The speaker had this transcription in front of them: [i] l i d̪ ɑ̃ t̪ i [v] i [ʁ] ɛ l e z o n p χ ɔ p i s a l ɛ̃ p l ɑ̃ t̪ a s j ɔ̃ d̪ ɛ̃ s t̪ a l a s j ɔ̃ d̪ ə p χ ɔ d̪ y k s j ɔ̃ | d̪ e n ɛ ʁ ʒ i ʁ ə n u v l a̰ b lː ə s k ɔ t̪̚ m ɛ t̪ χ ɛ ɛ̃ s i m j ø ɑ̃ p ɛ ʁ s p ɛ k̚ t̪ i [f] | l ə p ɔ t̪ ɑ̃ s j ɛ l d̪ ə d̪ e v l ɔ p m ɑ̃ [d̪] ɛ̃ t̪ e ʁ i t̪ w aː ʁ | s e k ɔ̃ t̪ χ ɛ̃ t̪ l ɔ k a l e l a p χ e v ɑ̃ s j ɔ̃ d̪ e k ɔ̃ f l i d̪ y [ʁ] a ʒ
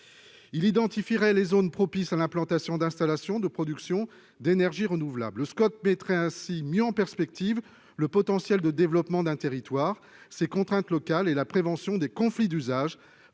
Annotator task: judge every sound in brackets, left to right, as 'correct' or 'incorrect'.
correct, incorrect, correct, incorrect, correct, incorrect

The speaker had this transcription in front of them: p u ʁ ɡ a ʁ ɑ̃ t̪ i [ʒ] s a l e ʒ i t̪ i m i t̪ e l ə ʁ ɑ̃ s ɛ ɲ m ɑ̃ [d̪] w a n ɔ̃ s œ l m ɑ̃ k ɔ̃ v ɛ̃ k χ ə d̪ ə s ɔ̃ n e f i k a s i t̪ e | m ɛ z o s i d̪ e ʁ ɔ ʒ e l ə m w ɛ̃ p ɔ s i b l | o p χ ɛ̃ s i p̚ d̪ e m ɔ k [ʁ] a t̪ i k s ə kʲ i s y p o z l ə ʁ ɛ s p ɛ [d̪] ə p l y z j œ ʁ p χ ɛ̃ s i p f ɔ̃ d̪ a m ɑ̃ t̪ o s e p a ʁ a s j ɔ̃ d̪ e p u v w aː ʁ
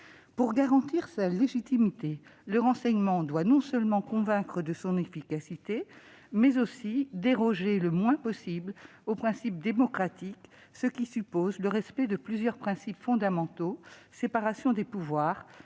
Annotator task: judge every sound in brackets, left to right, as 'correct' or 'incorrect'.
incorrect, correct, incorrect, correct

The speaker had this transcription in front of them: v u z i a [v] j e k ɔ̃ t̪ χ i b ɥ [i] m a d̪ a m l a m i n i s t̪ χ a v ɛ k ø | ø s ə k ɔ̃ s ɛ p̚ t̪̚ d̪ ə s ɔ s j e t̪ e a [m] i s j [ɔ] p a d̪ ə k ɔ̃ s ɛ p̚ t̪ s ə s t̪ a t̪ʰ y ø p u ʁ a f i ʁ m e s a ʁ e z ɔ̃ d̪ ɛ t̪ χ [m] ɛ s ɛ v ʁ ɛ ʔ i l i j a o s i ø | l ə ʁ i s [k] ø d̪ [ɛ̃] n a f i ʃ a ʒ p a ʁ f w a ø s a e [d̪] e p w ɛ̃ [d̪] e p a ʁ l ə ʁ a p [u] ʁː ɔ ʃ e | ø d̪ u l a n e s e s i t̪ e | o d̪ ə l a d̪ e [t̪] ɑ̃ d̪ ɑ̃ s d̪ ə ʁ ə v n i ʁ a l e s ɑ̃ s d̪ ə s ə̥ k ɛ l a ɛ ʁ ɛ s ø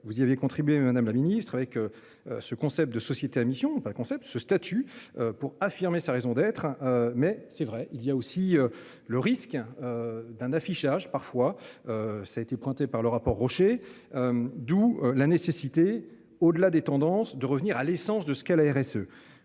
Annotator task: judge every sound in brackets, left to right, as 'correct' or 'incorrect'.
correct, incorrect, correct, incorrect, correct, correct, correct, incorrect, incorrect, incorrect, correct

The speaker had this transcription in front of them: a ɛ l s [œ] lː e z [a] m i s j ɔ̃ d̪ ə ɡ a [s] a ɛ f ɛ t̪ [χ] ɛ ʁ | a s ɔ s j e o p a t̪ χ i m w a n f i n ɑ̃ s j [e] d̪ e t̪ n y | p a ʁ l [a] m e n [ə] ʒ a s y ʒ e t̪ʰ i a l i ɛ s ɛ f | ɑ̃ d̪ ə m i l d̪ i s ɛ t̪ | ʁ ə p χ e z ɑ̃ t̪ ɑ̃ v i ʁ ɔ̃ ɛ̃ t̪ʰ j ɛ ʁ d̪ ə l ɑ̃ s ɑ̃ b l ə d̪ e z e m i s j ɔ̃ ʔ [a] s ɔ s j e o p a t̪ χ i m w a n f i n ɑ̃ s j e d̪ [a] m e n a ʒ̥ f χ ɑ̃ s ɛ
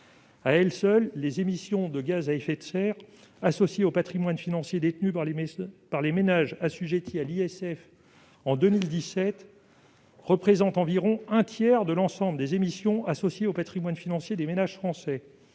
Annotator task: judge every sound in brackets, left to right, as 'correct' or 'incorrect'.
correct, incorrect, incorrect, incorrect, correct, incorrect, incorrect, correct, incorrect

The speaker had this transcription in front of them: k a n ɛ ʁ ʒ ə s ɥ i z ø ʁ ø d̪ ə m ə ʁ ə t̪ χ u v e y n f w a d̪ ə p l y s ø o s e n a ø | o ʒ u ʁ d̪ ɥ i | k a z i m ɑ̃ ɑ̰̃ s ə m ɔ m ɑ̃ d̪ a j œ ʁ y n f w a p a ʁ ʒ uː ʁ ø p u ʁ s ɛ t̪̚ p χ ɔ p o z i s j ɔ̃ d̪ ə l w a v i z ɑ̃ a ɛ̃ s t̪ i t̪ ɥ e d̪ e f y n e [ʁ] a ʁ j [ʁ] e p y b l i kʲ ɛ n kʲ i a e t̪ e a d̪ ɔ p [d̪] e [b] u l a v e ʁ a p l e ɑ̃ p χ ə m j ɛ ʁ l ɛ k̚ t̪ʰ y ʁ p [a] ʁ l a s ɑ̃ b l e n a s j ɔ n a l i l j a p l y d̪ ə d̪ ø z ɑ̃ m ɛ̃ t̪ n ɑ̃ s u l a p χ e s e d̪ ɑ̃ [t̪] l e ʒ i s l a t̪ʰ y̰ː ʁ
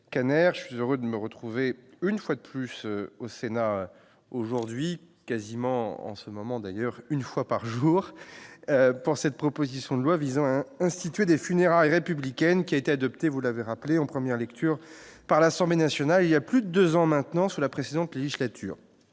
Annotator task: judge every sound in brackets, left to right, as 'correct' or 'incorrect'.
correct, correct, incorrect, incorrect, correct, correct

